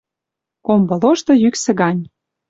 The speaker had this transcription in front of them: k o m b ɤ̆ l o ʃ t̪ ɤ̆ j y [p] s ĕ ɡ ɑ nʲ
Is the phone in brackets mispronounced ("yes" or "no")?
yes